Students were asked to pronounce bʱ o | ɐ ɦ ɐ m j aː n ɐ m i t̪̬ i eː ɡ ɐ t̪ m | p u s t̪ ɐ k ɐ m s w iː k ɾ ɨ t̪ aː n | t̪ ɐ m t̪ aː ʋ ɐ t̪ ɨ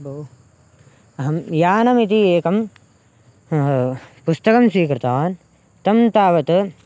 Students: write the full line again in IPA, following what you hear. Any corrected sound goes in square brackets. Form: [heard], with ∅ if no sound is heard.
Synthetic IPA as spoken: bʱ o | ɐ ɦ ɐ m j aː n ɐ m i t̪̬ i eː [k] ɐ [∅] m | p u s t̪ ɐ k ɐ m s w iː k ɾ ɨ t̪ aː n | t̪ ɐ m t̪ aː ʋ ɐ t̪ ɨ